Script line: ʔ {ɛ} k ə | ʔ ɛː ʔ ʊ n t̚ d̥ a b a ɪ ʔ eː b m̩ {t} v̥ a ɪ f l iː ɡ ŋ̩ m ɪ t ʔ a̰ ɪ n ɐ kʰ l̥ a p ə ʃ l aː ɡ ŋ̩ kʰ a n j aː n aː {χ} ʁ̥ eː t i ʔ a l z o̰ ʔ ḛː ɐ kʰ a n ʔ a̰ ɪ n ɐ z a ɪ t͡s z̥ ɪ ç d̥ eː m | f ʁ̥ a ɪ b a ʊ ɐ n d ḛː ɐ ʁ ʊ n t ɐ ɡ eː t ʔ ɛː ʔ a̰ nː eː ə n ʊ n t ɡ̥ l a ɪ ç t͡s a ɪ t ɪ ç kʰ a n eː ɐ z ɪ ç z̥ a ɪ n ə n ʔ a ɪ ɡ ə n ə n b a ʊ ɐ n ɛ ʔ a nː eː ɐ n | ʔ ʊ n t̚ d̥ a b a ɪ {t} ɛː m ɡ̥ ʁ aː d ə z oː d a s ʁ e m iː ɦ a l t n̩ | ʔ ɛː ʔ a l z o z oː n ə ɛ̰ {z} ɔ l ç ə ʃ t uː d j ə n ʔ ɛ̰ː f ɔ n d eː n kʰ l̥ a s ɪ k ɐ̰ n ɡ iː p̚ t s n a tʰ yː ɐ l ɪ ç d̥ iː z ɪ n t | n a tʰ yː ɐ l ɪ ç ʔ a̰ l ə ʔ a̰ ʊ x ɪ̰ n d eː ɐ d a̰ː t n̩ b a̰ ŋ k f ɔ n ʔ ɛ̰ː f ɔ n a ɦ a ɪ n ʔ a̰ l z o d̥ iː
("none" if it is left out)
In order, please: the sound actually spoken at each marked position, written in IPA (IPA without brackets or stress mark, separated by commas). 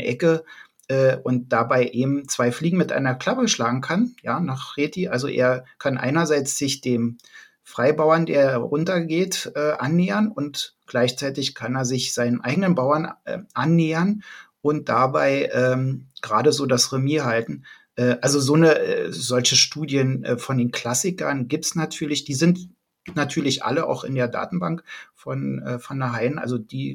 ɛ, t͡s, χ, ʔ, z